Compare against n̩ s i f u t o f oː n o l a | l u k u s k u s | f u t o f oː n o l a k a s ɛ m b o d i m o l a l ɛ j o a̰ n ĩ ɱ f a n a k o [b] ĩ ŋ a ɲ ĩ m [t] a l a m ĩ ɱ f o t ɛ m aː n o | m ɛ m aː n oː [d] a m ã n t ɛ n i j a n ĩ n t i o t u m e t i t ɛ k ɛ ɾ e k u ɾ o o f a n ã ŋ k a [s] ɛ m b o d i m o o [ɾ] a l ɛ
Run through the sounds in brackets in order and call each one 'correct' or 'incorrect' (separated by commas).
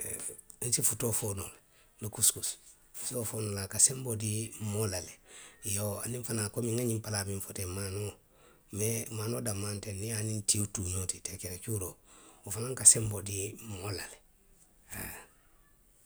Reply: incorrect, incorrect, correct, correct, incorrect